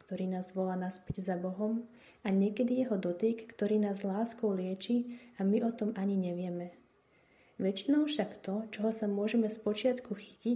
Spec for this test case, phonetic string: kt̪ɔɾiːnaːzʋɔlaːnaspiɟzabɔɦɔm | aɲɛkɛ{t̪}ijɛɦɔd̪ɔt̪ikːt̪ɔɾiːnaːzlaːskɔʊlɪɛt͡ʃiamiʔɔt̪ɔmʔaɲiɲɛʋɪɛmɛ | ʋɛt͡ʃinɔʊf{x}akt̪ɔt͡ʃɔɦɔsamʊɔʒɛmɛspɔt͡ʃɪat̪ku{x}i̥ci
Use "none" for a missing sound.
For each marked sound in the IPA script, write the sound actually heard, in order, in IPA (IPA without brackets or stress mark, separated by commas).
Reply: d̪, ʃ, x